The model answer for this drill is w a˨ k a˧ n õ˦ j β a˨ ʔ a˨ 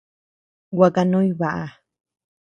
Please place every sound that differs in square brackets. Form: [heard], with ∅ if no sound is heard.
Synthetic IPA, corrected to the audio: w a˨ k a˧ n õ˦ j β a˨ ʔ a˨